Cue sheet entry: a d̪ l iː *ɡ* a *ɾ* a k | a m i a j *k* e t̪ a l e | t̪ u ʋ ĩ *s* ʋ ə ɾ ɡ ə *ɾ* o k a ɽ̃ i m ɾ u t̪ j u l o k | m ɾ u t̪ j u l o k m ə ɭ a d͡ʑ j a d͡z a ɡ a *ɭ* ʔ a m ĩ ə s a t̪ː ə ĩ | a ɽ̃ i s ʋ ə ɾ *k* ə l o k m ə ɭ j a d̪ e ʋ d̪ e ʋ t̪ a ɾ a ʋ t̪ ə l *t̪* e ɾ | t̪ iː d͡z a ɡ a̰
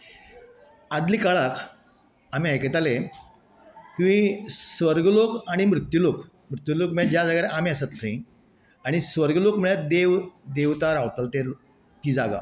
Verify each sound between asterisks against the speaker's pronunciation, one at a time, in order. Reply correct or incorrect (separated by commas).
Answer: incorrect, incorrect, correct, correct, incorrect, incorrect, incorrect, correct